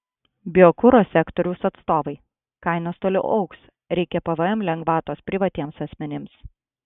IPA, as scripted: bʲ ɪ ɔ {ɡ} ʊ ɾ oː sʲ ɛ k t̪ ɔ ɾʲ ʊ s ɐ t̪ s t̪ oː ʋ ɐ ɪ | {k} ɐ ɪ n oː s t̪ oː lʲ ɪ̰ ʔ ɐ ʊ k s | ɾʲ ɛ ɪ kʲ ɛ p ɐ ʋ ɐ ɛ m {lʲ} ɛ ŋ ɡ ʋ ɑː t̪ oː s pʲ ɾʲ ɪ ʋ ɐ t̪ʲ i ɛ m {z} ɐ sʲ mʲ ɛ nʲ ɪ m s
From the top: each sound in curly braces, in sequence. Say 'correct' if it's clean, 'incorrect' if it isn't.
incorrect: k, correct, correct, incorrect: s

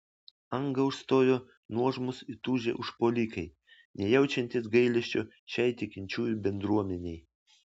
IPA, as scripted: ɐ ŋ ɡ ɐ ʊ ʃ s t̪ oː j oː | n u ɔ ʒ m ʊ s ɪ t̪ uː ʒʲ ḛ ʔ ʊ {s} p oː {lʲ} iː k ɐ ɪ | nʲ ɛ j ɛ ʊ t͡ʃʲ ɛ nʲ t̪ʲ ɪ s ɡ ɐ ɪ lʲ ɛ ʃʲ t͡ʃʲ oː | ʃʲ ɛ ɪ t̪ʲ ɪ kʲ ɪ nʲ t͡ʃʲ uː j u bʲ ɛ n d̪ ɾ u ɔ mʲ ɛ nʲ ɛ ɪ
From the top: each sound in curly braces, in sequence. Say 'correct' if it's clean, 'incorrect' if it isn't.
incorrect: ʃ, correct

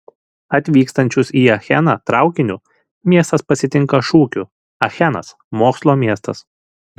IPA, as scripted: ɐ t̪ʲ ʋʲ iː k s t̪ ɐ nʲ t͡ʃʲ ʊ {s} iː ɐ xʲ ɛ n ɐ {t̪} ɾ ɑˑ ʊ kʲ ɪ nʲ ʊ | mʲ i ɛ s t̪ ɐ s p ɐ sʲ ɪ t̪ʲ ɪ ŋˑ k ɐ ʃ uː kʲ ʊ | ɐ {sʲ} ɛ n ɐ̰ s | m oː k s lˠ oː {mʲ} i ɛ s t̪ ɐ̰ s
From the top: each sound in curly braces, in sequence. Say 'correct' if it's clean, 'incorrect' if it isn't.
correct, correct, incorrect: xʲ, correct

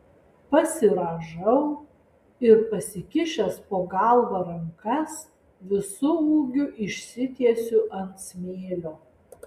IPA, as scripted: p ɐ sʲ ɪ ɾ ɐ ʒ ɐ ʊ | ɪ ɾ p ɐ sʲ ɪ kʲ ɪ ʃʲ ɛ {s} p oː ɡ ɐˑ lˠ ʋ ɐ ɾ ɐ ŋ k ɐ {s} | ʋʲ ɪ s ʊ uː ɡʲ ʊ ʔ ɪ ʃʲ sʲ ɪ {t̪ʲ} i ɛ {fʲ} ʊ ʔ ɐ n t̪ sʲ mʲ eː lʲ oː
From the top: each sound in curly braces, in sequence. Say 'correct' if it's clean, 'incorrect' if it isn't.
correct, correct, correct, incorrect: sʲ

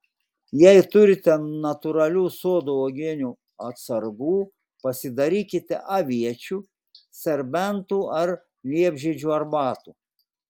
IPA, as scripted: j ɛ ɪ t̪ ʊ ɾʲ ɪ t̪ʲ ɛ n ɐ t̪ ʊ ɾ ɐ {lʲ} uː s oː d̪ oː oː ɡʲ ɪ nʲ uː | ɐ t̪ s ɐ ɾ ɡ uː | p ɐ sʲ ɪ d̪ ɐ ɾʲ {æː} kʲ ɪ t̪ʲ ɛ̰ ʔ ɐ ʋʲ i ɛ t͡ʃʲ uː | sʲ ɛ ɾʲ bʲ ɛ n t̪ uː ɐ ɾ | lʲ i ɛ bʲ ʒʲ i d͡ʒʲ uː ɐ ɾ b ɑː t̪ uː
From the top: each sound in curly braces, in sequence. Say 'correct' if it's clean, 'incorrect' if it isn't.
correct, incorrect: iː

